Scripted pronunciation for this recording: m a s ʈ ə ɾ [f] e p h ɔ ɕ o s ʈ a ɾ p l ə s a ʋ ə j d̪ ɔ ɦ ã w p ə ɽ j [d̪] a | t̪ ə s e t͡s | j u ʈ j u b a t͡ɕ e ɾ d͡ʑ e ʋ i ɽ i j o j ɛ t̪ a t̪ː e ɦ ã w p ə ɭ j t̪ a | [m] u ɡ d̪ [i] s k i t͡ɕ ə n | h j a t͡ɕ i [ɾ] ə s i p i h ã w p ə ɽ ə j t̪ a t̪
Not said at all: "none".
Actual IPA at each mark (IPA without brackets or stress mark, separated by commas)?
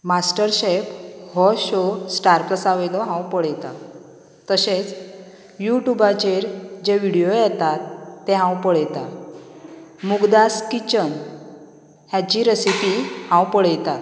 ɕ, t̪, m, a, ɾ